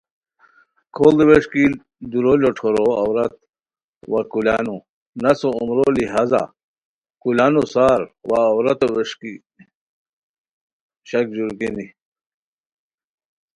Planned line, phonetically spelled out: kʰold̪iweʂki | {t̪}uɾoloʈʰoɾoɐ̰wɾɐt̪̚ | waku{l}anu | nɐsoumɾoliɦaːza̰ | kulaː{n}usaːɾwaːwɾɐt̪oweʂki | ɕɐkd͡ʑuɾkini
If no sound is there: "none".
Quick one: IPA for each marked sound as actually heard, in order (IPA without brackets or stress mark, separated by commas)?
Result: d̪, l, n